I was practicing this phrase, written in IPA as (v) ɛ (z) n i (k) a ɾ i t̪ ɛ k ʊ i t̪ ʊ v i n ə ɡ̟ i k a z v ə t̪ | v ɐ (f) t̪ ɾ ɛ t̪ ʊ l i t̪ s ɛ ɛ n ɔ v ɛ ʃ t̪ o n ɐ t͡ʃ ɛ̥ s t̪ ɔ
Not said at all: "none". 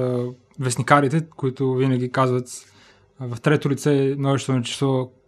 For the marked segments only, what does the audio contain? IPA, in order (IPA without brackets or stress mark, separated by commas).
v, s, k, f